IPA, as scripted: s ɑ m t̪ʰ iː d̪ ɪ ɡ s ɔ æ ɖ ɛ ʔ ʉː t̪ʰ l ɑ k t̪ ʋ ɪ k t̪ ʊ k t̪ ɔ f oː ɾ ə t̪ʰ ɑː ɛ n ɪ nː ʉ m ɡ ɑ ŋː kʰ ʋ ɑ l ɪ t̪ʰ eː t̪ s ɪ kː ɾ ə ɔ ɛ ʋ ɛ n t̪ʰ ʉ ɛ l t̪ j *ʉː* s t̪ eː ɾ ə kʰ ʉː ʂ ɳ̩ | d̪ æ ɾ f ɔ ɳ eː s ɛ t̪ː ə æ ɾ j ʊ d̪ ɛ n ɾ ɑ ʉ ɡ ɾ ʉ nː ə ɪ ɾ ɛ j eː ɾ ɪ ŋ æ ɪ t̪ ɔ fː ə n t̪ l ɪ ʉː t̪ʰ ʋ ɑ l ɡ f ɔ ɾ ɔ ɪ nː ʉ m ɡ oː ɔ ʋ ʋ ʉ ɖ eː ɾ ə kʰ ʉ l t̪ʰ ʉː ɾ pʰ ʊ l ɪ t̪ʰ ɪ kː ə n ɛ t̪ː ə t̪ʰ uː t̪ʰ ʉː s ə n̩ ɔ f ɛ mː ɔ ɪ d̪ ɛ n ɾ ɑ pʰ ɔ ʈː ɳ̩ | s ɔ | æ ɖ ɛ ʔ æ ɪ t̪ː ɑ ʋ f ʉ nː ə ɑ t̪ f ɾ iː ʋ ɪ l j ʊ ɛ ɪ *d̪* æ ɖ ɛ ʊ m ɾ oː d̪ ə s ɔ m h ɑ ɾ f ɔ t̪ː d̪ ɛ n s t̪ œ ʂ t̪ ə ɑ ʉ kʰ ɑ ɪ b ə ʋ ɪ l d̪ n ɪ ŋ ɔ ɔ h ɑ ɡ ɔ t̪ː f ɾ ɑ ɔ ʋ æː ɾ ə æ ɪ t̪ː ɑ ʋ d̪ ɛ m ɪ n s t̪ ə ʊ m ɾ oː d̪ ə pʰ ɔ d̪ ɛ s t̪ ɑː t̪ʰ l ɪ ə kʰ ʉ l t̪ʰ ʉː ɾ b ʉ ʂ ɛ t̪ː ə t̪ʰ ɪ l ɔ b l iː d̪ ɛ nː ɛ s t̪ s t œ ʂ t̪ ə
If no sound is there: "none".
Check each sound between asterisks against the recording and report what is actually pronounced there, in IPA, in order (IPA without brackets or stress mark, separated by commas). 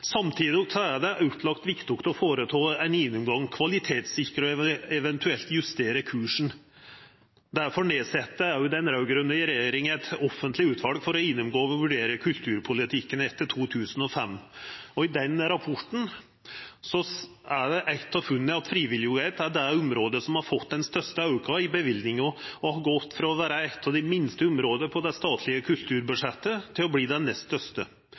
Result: ʉ, t̪